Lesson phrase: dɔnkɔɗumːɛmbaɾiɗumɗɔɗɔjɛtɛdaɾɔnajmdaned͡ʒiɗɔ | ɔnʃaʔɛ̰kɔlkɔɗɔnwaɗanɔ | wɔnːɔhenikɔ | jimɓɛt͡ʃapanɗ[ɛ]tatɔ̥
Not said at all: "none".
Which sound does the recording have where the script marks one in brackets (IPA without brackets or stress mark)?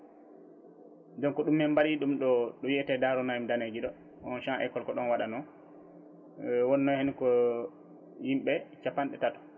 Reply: ɛ